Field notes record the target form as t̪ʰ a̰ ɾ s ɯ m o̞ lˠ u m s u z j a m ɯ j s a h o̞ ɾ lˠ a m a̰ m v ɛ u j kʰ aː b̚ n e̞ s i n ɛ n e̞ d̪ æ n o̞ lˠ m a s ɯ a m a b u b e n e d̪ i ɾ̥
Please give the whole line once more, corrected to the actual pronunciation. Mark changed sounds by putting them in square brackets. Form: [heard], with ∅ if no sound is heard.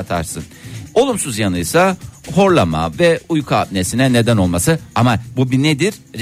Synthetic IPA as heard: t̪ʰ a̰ ɾ s ɯ [n] o̞ lˠ u m s u z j a [n] ɯ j s a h o̞ ɾ lˠ a m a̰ [∅] v ɛ u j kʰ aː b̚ n e̞ s i n ɛ n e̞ d̪ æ n o̞ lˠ m a s ɯ a m a b u b [i] n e d̪ i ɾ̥